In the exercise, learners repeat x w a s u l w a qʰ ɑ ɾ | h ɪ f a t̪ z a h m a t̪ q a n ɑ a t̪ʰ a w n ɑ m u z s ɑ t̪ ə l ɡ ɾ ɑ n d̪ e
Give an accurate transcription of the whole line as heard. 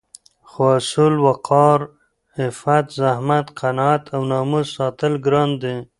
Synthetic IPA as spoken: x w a s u l w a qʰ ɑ ɾ | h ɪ f a t̪ z a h m a t̪ q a n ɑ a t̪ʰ a w n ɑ m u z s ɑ t̪ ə l ɡ ɾ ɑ n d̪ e